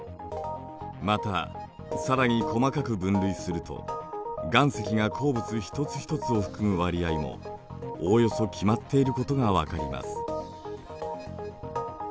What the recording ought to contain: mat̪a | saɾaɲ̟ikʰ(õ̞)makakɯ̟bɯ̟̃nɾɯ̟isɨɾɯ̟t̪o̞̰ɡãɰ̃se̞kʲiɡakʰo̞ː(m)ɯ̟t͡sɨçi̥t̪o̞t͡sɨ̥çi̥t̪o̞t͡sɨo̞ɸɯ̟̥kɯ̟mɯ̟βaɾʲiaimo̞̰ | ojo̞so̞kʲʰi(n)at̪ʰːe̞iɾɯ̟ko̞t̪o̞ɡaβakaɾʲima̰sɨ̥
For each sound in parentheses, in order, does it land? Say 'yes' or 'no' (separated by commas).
no, no, no